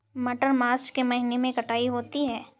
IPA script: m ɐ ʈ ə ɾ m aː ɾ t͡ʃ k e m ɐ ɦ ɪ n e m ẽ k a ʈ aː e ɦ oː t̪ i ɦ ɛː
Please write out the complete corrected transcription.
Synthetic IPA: m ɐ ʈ ə ɾ m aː ɾ t͡ʃ k e m ɐ ɦ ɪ n e m ẽ k ɐ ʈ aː i ɦ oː t̪ i ɦ ɛː

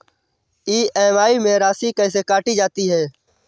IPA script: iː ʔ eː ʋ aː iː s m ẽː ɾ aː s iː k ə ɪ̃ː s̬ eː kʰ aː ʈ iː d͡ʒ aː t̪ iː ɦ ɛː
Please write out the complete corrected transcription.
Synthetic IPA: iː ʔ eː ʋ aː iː m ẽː ɾ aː s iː k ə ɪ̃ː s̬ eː k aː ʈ iː d͡ʒ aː t̪ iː ɦ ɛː

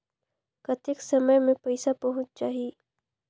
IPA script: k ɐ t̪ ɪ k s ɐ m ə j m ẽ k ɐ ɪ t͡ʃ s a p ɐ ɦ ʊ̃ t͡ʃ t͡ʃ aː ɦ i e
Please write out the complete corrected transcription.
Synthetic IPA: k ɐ t̪ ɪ k s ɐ m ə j m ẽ p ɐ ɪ s a p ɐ ɦ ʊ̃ t͡ʃ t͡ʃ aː ɦ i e

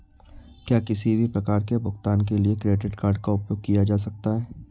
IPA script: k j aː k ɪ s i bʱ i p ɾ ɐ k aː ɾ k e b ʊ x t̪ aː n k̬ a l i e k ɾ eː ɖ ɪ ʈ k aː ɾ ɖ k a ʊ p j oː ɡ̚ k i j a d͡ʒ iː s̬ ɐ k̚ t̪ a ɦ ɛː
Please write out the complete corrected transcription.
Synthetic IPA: k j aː k ɪ s i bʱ i p ɾ ɐ k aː ɾ k e b ʊ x t̪ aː n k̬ e l i e k ɾ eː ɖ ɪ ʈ k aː ɾ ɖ k a ʊ p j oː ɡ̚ k i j a d͡ʒ aː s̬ ɐ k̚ t̪ a ɦ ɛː

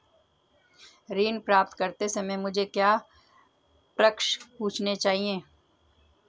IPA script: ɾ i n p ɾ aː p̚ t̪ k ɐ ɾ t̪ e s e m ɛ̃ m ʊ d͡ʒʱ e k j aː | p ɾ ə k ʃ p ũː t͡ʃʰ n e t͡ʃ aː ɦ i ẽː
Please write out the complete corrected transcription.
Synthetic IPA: ɾ iː n p ɾ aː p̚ t̪ k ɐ ɾ t̪ e s e m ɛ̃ m ʊ d͡ʒʱ e k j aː | p ɾ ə k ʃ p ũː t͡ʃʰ n e t͡ʃ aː ɦ i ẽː

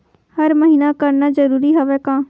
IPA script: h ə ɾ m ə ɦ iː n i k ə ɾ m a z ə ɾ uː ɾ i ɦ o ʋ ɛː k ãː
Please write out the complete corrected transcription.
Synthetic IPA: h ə ɾ m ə ɦ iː n a k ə ɾ n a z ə ɾ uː ɾ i ɦ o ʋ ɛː k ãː

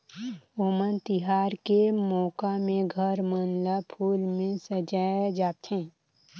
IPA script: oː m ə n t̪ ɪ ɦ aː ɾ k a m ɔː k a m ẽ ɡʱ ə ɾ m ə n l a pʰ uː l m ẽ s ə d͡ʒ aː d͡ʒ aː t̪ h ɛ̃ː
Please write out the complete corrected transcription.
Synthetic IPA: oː m ə n t̪ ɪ ɦ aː ɾ k e m ɔː k a m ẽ ɡʱ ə ɾ m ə n l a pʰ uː l m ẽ s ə d͡ʒ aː d͡ʒ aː t̪ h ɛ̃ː

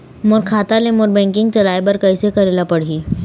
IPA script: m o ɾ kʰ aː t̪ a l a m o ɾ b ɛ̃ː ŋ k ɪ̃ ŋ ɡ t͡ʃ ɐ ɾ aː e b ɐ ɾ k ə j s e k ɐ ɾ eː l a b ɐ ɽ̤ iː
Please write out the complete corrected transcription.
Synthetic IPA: m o ɾ kʰ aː t̪ a l e m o ɾ b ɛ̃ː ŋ k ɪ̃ ŋ ɡ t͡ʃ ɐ l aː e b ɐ ɾ k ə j s e k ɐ ɾ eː l a p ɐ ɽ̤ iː

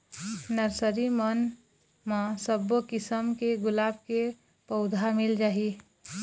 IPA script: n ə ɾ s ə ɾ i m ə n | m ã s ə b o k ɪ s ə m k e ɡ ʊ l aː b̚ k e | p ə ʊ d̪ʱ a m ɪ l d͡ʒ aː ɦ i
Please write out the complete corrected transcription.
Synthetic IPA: n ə ɾ s ə ɾ i m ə n | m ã s ə b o k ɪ s ə m k e ɡ ʊ l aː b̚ k e | p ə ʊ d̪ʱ a m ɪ l d͡ʒ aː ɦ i

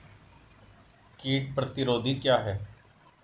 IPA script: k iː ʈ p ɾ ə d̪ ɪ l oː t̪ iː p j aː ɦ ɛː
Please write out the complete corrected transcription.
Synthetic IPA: k iː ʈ p ɾ ə t̪ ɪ ɾ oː d̪ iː k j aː ɦ ɛː

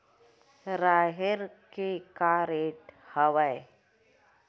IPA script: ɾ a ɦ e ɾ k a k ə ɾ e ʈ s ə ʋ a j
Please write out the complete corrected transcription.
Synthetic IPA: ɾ a ɦ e ɾ k e k a ɾ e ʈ h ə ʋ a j

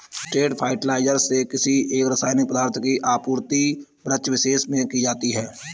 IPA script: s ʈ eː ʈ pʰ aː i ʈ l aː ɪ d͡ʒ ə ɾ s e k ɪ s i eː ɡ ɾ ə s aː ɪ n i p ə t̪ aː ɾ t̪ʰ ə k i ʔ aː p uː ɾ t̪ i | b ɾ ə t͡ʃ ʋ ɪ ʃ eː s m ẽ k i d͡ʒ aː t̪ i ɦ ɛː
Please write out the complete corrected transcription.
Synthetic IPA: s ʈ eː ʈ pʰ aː ɪ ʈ l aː ɪ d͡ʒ ə ɾ s e k ɪ s i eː k ɾ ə s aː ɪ n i p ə d̪ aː ɾ t̪ʰ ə k i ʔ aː p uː ɾ t̪ i | b ɾ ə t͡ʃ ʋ ɪ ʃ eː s m ẽ k i d͡ʒ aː t̪ i ɦ ɛː

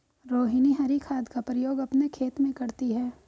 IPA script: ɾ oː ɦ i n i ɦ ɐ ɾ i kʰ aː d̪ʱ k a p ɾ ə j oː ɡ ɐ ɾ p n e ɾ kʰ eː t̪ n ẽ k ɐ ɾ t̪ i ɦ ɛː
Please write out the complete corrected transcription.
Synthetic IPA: ɾ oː ɦ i n i ɦ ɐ ɾ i kʰ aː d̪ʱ k a p ɾ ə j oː ɡ ɐ p n e kʰ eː t̪ m ẽ k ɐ ɾ t̪ i ɦ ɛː

